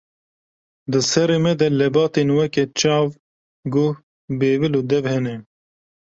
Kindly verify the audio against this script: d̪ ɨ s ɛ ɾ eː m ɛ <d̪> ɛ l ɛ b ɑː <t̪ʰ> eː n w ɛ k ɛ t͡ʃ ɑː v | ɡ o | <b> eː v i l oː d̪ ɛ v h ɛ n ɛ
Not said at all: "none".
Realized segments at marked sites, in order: d̪, t̪, b

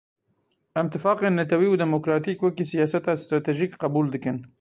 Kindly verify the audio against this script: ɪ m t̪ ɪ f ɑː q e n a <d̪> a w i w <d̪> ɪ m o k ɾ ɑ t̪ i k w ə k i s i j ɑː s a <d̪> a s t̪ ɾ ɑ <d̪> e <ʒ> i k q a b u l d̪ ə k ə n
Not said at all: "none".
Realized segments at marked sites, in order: t̪, d̪, t̪, t̪, ʒ

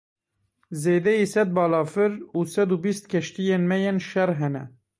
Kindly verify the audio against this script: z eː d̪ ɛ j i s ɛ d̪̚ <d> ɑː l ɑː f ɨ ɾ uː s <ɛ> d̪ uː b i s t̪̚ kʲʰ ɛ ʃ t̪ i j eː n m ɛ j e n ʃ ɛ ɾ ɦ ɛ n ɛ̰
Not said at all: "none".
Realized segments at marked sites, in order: b, ɛ

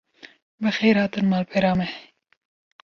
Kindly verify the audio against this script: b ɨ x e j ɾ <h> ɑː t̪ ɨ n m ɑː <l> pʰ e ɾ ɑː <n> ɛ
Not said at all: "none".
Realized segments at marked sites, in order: h, l, m

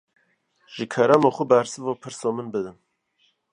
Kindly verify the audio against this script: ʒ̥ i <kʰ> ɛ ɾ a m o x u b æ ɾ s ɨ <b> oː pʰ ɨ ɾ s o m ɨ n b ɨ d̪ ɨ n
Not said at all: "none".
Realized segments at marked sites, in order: kʰ, v

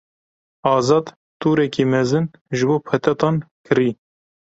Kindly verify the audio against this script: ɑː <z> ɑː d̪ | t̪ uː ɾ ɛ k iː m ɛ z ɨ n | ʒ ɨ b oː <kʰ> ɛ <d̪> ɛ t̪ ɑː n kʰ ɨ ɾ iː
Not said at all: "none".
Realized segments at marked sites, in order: z, pʰ, t̪

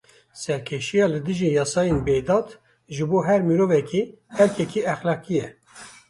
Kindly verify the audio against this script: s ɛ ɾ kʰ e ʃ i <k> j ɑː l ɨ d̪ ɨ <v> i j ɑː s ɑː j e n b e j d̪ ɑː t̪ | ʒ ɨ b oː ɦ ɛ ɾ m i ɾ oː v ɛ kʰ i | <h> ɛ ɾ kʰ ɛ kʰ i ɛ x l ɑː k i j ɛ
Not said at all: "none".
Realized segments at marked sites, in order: none, ʒ, h

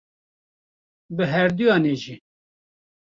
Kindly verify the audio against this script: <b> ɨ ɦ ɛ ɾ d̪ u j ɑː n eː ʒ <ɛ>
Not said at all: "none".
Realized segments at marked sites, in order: b, i

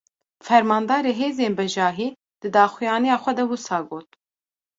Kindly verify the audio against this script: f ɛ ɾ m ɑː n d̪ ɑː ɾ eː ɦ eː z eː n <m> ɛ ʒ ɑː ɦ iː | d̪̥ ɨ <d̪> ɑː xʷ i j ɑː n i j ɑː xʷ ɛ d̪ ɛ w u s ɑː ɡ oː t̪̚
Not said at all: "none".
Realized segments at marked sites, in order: b, d̪

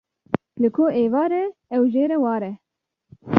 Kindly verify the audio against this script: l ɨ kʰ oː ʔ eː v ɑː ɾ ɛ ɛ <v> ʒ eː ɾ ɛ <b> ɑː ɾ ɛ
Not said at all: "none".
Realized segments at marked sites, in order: w, w

